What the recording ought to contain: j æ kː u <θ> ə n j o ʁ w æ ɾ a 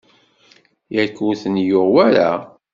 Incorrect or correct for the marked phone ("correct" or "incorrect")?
correct